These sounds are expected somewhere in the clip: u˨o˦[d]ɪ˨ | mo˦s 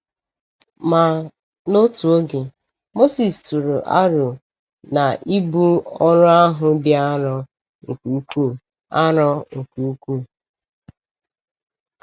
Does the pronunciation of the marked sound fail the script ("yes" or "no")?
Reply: yes